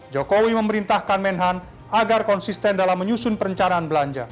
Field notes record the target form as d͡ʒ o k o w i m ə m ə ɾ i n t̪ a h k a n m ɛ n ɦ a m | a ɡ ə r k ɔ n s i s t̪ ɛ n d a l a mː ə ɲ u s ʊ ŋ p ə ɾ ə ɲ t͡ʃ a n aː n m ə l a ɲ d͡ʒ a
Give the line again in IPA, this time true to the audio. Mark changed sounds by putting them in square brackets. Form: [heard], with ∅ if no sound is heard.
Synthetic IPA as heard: d͡ʒ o k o w i m ə m ə ɾ i n t̪ a h k a n m ɛ n ɦ a [n] | a ɡ [a] r k ɔ n s i s t̪ ɛ n d a l a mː ə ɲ u s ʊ [n] p ə ɾ ə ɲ t͡ʃ a n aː n [b] ə l a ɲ d͡ʒ a